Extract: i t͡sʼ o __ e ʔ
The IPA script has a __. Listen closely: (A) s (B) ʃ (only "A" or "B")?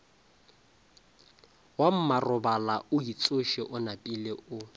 B